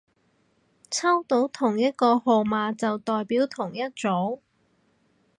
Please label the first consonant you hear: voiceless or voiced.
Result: voiceless